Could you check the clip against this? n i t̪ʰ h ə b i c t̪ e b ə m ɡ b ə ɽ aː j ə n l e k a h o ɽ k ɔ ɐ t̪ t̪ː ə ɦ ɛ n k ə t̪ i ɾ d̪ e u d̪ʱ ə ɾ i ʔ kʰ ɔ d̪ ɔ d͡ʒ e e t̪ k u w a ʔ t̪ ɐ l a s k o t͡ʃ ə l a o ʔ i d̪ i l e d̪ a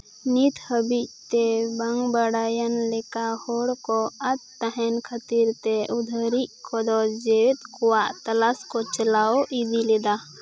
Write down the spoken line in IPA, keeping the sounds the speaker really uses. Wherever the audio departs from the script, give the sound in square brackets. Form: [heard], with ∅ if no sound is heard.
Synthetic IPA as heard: n i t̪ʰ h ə b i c t̪ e b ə [ŋ] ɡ b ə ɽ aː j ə n l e k a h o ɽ k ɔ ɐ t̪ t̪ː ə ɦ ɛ n [kʰ] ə t̪ i ɾ [t̪] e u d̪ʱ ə ɾ i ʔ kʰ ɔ d̪ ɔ d͡ʒ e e t̪ k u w a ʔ t̪ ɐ l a s k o t͡ʃ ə l a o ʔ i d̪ i l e d̪ a